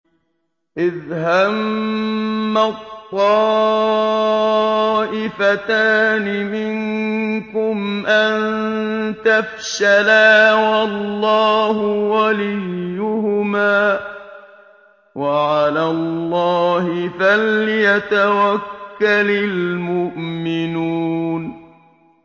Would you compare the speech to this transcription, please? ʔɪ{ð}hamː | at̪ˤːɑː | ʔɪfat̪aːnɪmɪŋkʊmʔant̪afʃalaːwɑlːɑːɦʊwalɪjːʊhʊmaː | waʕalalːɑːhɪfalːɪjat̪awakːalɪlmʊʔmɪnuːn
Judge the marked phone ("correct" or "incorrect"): correct